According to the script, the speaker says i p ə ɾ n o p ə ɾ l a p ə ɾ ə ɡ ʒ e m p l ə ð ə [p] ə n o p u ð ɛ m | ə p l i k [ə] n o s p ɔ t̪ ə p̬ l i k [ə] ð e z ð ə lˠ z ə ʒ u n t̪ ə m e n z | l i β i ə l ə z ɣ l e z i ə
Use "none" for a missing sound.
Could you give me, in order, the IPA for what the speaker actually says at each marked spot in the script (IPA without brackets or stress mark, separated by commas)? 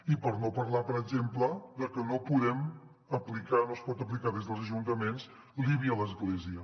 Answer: k, a, a